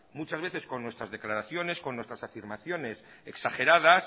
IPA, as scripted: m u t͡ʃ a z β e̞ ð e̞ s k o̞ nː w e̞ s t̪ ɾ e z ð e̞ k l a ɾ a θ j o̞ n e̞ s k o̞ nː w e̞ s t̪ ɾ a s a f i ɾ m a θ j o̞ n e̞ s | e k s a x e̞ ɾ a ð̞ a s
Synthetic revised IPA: m u t͡ʃ a z β e̞ θ e̞ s k o̞ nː w e̞ s t̪ ɾ a z ð e̞ k l a ɾ a θ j o̞ n e̞ s k o̞ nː w e̞ s t̪ ɾ a s a f i ɾ m a θ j o̞ n e̞ s | e k s a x e̞ ɾ a ð̞ a s